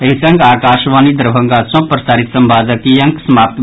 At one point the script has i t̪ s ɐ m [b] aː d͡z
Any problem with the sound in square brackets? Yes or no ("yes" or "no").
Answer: no